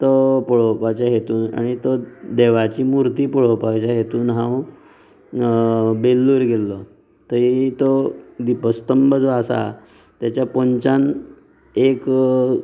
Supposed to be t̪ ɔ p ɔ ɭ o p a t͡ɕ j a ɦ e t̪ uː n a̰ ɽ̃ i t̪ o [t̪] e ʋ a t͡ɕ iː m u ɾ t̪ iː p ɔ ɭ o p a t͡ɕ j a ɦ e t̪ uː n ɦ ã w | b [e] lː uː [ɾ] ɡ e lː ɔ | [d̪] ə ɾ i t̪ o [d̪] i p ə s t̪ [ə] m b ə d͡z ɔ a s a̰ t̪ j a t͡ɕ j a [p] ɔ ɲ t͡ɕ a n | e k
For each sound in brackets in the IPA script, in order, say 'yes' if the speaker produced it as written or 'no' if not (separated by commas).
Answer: no, yes, yes, no, yes, yes, yes